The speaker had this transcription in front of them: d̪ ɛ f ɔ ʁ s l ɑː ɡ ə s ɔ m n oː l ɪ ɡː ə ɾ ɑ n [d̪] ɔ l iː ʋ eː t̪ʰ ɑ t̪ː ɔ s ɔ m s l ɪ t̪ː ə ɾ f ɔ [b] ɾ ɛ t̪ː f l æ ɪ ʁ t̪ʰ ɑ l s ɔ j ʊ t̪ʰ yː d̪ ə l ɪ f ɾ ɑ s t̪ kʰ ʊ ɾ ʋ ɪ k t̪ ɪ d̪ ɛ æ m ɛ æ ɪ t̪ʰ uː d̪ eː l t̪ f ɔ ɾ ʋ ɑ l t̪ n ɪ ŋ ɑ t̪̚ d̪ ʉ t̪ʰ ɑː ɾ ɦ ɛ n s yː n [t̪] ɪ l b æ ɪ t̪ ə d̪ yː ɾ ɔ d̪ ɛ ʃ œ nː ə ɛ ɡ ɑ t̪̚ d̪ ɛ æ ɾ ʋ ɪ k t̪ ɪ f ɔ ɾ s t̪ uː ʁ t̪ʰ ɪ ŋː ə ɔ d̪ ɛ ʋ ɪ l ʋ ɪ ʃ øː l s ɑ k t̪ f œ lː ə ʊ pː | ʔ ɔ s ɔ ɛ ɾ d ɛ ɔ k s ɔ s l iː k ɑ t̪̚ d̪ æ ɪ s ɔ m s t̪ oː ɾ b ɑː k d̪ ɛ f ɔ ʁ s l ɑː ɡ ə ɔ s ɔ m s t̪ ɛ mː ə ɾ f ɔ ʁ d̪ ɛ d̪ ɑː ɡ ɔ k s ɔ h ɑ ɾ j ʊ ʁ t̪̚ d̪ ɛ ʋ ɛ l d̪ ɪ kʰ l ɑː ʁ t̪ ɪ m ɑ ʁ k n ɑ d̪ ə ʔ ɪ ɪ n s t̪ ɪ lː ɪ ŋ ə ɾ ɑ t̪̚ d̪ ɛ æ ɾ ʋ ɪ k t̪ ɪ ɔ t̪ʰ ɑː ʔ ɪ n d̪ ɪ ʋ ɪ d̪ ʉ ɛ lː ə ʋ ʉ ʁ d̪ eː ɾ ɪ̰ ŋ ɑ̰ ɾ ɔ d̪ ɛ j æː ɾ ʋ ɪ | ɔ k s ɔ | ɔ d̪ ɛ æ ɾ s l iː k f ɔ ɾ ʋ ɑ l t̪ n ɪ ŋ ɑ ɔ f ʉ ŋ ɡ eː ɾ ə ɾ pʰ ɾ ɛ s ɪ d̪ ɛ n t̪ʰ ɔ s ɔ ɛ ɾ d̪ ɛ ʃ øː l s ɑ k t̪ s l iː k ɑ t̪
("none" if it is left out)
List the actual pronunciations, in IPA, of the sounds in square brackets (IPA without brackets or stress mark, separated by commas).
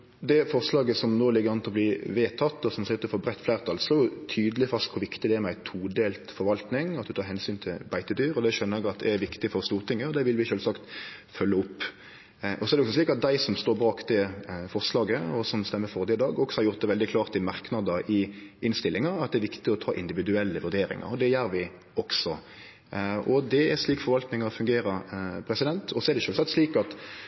t̪, b, t̪ʰ